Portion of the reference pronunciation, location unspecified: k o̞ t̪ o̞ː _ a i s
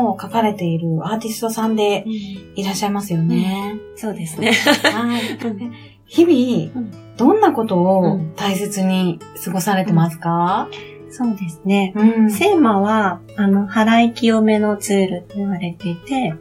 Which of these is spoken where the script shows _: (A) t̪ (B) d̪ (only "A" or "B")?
A